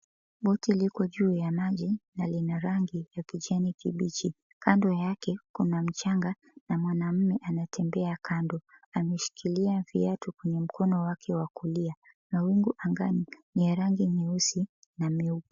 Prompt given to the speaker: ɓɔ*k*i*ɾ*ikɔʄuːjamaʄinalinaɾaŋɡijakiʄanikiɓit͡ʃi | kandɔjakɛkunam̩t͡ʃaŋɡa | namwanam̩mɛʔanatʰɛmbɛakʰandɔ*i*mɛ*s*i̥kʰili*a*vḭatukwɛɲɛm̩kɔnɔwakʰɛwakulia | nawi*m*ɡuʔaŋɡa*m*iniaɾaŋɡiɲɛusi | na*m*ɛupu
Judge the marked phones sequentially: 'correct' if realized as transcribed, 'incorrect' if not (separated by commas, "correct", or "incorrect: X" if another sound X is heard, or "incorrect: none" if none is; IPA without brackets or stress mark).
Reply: incorrect: t, incorrect: l, incorrect: a, incorrect: ʃ, correct, incorrect: ŋ, incorrect: n, correct